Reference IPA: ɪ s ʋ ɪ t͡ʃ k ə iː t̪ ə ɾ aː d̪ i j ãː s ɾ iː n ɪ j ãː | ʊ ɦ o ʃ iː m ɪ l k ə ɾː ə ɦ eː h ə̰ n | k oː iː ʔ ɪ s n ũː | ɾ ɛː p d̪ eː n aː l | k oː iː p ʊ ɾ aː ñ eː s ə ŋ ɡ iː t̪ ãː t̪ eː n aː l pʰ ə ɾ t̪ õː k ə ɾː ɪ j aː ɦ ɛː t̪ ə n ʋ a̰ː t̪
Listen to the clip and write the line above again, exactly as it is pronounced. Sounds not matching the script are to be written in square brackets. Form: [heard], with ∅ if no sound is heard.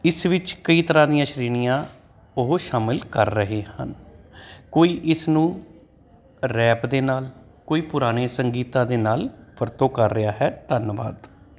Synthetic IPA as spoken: ɪ s ʋ ɪ t͡ʃ k ə iː t̪ ə ɾ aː d̪ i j ãː [ʃ] ɾ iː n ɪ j ãː | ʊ ɦ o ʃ [aː] m ɪ l k ə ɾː ə ɦ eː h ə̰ n | k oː iː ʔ ɪ s n ũː | ɾ ɛː p d̪ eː n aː l | k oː iː p ʊ ɾ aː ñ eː s ə ŋ ɡ iː t̪ ãː [d̪] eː n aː l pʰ ə ɾ t̪ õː k ə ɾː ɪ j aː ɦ ɛː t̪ ə n ʋ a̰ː [d̪]